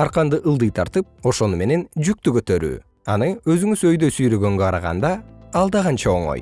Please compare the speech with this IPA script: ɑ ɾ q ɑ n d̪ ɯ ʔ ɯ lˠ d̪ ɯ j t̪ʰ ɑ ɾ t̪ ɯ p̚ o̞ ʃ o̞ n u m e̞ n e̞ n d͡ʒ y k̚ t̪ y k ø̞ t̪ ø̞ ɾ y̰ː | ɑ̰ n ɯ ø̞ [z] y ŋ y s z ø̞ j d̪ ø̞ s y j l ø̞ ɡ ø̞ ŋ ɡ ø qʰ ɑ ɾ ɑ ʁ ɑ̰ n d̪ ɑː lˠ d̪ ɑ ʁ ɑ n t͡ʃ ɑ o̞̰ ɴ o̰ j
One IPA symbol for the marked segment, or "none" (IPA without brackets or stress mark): z